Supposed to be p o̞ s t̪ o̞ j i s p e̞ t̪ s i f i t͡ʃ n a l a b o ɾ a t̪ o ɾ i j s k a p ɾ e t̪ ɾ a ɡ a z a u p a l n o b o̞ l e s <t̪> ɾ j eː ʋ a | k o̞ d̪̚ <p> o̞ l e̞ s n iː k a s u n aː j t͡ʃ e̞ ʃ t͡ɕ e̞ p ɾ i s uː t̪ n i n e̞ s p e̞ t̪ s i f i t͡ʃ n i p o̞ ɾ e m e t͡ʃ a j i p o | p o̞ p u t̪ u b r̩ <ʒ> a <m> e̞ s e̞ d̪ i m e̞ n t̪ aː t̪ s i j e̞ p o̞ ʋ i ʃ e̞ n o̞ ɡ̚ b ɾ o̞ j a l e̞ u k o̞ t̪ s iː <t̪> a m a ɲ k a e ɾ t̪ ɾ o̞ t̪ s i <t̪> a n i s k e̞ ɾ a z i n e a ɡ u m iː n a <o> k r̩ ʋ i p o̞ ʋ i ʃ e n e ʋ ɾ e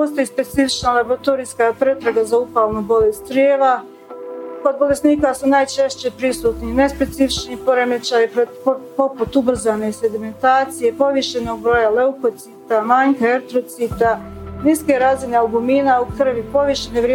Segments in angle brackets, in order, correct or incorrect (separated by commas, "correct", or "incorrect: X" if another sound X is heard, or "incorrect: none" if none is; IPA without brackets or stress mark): correct, incorrect: b, incorrect: z, incorrect: n, correct, correct, incorrect: u